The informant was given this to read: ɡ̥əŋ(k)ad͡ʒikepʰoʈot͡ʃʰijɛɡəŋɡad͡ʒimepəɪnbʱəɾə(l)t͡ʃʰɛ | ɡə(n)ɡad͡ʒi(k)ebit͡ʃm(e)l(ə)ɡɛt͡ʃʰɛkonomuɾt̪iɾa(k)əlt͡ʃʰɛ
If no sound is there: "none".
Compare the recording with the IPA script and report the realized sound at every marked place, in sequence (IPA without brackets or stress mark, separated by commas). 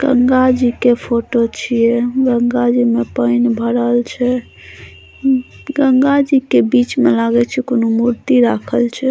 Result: ɡ, l, ŋ, k, e, a, kʰ